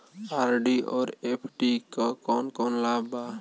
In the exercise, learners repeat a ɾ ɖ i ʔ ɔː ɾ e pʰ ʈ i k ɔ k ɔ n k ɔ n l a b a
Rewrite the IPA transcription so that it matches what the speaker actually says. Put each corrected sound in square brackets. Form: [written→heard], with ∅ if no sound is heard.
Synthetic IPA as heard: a ɾ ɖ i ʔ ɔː ɾ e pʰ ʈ i k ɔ k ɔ n k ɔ n l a b a